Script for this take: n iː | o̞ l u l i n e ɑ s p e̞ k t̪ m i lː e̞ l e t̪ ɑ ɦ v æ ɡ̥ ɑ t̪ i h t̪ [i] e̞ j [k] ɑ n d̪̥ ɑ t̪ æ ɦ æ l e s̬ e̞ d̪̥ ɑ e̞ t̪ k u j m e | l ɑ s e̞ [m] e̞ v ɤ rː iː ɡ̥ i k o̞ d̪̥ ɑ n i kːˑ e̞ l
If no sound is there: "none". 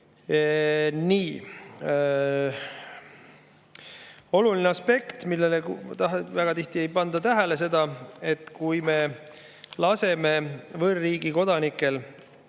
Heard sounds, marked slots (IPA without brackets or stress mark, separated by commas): i, p, m